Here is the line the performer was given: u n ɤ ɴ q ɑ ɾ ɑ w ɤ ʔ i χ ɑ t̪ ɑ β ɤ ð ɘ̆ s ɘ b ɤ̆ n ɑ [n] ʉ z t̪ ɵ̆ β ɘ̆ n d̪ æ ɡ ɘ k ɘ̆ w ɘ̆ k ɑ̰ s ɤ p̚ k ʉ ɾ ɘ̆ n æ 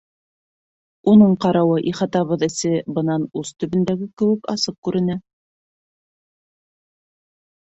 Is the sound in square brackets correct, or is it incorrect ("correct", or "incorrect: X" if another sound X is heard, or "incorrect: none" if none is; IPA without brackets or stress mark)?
correct